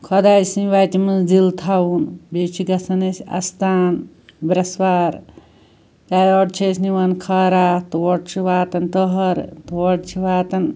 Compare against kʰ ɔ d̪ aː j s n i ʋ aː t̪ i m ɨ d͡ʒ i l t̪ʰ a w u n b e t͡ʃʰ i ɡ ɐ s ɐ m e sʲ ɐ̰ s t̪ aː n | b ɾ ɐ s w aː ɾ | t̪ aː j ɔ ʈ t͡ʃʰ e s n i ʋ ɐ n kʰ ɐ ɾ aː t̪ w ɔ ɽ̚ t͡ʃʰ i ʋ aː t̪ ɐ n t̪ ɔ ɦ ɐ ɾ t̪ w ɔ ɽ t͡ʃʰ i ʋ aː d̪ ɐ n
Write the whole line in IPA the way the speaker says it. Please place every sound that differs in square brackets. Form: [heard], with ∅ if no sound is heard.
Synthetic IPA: kʰ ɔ d̪ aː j s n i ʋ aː t̪ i m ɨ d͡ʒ i l t̪ʰ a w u n b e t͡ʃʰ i ɡ ɐ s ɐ [n] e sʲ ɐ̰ s t̪ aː n | b ɾ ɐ s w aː ɾ | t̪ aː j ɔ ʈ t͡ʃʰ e s n i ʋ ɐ n kʰ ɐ ɾ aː t̪ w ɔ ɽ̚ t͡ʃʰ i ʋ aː t̪ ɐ n t̪ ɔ ɦ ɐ ɾ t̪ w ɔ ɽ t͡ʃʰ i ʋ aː [t̪] ɐ n

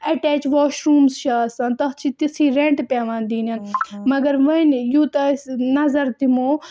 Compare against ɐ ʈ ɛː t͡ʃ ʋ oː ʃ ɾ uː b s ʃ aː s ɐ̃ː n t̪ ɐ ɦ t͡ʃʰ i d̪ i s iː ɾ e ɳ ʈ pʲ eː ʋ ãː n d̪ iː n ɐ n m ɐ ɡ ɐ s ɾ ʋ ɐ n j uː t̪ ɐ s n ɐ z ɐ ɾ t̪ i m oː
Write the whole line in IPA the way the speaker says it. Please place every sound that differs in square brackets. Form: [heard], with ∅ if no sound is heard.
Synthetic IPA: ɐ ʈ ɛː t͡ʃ ʋ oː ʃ ɾ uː [m] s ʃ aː s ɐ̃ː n t̪ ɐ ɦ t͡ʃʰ i [t̪] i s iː ɾ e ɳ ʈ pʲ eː ʋ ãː n d̪ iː n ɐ n m ɐ ɡ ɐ [∅] ɾ ʋ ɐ n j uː t̪ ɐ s n ɐ z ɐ ɾ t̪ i m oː

